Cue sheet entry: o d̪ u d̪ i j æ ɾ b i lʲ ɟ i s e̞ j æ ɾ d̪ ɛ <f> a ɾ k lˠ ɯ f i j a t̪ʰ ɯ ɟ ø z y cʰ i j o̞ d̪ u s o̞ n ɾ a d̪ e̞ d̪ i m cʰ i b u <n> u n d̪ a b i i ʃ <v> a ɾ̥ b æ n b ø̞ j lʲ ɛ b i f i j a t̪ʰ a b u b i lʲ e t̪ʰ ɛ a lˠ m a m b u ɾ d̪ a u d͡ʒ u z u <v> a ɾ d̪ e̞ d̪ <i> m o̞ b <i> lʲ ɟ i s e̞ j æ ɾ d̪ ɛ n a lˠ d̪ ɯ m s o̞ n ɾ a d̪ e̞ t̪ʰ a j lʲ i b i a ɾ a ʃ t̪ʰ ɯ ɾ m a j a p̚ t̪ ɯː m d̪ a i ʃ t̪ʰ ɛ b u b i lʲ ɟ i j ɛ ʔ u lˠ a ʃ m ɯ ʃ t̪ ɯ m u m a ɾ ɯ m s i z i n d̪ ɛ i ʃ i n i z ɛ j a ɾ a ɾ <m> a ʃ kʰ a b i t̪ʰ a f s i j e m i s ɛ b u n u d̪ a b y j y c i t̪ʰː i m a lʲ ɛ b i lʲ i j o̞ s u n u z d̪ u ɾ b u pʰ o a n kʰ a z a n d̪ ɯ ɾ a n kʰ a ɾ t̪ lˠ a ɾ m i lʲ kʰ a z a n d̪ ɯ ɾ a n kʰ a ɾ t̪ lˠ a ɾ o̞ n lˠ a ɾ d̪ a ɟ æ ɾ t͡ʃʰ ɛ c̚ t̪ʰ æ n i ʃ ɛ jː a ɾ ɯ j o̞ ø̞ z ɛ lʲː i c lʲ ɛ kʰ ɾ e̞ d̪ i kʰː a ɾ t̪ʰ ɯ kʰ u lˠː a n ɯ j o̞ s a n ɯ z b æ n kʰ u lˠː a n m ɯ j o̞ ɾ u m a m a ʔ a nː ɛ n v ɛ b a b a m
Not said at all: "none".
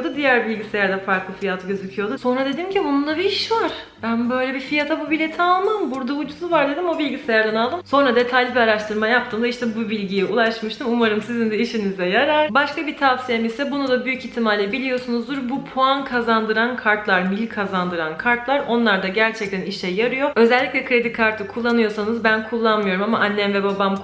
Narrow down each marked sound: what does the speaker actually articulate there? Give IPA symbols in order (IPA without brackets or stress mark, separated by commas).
f, n, v, v, i, i, b